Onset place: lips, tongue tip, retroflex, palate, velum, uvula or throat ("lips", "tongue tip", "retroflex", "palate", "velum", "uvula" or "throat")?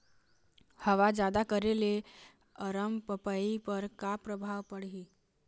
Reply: throat